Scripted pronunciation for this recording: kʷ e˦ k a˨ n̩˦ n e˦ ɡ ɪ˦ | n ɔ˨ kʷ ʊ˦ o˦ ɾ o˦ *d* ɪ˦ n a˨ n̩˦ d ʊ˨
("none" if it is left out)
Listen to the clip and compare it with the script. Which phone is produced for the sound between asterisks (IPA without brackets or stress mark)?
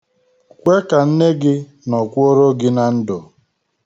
ɡ